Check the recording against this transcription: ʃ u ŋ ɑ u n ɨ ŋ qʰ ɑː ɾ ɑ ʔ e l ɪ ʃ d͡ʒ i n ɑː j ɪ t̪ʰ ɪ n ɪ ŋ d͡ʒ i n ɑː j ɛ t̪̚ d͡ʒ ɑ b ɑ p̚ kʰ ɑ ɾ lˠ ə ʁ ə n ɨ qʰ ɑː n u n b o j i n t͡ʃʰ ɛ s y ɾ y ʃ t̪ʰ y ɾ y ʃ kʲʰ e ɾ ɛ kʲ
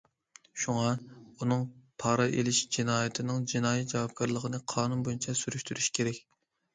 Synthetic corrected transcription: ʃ u ŋ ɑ u n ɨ ŋ pʰ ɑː ɾ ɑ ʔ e l ɪ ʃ d͡ʒ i n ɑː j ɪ t̪ʰ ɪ n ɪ ŋ d͡ʒ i n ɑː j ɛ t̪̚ d͡ʒ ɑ w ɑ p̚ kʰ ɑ ɾ lˠ ə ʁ ə n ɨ qʰ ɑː n u n b o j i n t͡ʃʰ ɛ s y ɾ y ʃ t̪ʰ y ɾ y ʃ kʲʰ e ɾ ɛ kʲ

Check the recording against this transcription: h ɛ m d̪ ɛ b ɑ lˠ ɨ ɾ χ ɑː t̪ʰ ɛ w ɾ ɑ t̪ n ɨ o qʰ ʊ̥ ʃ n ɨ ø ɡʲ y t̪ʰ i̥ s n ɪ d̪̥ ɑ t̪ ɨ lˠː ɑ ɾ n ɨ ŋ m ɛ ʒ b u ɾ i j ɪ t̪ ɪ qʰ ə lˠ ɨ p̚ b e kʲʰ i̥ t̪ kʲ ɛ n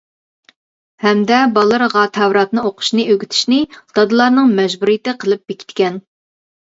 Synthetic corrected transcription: h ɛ m d̪ ɛ b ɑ lˠ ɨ ɾ ʁ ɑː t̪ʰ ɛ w ɾ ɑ t̪ n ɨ o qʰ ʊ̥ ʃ n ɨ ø ɡʲ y t̪ʰ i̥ ʃ n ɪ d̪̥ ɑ d̪ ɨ lˠ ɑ ɾ n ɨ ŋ m ɛ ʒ b u ɾ i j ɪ t̪ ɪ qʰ ə lˠ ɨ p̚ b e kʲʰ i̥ t̪ kʲ ɛ n

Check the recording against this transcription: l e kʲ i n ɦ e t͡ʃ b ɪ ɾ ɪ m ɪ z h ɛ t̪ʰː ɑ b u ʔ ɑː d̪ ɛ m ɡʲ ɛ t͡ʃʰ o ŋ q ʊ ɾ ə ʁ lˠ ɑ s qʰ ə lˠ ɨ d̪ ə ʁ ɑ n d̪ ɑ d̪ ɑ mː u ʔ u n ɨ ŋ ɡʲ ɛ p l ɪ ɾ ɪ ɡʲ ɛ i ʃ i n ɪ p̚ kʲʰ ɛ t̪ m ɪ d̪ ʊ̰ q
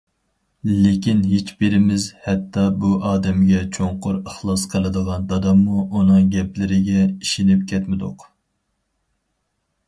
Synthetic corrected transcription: l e kʲ i n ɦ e t͡ʃ b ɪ ɾ ɪ m ɪ z h ɛ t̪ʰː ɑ b u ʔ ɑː d̪ ɛ m ɡʲ ɛ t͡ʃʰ o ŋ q ʊ ɾ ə χ lˠ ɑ s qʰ ə lˠ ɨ d̪ ə ʁ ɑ n d̪ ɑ d̪ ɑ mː u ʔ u n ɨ ŋ ɡʲ ɛ p l ɪ ɾ ɪ ɡʲ ɛ i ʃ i n ɪ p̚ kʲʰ ɛ t̪ m ɪ d̪ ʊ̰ q

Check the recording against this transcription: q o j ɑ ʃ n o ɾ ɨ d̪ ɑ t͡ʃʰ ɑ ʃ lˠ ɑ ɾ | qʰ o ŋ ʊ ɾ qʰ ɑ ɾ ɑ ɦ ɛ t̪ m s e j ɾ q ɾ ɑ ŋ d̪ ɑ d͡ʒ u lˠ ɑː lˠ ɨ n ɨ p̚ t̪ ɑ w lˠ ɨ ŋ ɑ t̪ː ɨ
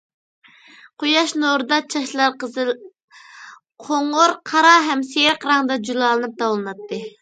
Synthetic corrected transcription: q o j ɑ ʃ n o ɾ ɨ d̪ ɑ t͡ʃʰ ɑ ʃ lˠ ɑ ɾ | qʰ o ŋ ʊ ɾ qʰ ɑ ɾ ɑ ɦ ɛ m s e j ɾ q ɾ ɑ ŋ d̪ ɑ d͡ʒ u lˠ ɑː lˠ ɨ n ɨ p̚ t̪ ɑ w lˠ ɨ n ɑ t̪ː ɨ

